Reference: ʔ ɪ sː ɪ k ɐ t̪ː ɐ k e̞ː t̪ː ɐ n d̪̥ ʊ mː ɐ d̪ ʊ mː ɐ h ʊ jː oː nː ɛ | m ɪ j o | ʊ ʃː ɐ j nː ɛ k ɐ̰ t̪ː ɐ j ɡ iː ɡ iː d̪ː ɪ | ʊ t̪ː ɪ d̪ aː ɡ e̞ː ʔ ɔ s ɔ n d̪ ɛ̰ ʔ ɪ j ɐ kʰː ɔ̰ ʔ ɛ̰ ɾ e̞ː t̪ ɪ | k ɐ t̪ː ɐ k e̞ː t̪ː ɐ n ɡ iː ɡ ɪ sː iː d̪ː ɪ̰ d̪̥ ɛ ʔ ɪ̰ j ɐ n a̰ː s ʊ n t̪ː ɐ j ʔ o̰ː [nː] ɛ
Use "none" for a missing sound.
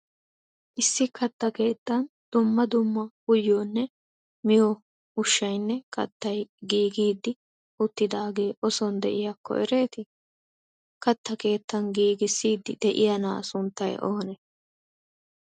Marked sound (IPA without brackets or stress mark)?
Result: n